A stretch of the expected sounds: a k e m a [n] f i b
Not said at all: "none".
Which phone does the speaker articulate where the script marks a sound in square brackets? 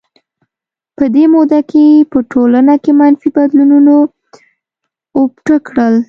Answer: n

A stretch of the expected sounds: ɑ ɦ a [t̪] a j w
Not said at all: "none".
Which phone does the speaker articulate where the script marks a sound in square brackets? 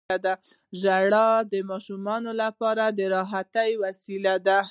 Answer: t̪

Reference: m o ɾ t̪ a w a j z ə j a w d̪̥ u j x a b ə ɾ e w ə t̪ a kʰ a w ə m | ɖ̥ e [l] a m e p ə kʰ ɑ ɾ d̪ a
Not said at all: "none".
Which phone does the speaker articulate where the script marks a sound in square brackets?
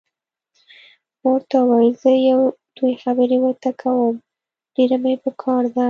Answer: ɾ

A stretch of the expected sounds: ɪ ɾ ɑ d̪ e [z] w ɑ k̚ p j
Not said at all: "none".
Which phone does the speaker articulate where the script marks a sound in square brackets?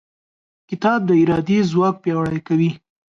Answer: z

